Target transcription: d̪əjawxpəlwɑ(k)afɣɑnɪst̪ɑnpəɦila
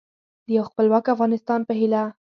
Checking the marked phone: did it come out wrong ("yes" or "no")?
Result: no